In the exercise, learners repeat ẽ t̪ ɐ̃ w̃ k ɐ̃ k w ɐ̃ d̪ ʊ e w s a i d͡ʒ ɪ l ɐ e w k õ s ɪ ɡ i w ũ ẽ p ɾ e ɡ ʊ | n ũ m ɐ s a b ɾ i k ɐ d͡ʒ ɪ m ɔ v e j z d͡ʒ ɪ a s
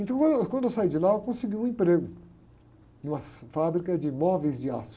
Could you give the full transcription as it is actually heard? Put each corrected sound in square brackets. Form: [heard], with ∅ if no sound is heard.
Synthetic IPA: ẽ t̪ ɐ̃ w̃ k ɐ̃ k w ɐ̃ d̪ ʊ e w s a i d͡ʒ ɪ l [a] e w k õ s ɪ ɡ i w ũ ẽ p ɾ e ɡ ʊ | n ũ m ɐ [f] a b ɾ i k ɐ d͡ʒ ɪ m ɔ v e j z d͡ʒ ɪ a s